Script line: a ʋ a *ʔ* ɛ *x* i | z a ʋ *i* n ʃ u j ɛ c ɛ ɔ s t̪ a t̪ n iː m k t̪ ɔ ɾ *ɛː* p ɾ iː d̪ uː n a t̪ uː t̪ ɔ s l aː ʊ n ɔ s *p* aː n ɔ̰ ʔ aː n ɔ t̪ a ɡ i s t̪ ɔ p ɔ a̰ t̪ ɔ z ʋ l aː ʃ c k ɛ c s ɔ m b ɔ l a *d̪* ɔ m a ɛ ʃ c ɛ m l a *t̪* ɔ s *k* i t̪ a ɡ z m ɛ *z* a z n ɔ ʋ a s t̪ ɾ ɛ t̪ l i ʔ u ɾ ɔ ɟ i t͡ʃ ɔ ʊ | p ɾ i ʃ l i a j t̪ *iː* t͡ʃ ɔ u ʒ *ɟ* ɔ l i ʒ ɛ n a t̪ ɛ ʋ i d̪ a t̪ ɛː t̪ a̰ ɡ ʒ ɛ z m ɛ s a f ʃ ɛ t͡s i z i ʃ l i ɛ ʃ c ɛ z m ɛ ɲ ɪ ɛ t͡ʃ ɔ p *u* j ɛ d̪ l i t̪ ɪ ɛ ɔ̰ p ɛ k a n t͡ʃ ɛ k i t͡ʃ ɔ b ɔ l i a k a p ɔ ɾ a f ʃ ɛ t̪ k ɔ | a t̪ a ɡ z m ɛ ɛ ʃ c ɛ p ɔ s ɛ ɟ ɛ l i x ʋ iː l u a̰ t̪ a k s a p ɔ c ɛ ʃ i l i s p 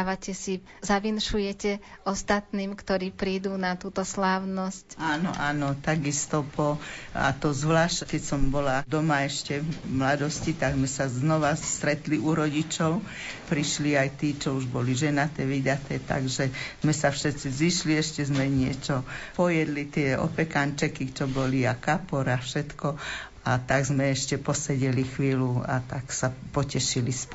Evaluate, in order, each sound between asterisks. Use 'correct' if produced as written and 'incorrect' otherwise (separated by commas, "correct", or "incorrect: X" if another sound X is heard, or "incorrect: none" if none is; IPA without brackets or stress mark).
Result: incorrect: c, incorrect: s, correct, incorrect: iː, incorrect: c, correct, incorrect: d̪, incorrect: c, incorrect: s, correct, incorrect: b, incorrect: ɔ